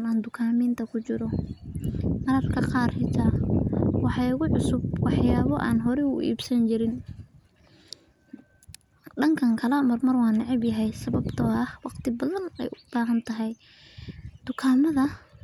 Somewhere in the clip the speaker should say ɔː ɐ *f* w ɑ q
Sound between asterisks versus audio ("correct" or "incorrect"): incorrect